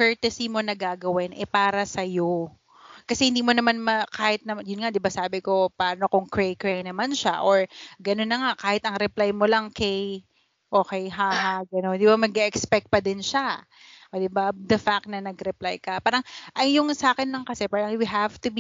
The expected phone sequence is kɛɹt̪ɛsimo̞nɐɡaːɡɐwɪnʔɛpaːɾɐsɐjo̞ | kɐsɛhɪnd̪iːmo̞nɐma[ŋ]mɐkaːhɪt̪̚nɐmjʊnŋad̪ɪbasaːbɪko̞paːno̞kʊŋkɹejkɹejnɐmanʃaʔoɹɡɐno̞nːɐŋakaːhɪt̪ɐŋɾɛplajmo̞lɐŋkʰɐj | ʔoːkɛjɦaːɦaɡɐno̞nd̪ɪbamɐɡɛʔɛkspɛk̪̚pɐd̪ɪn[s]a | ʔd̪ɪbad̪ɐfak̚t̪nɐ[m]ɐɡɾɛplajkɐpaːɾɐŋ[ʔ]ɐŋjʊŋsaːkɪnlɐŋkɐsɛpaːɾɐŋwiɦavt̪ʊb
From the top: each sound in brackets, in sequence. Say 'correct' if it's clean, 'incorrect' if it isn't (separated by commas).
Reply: incorrect, incorrect, incorrect, correct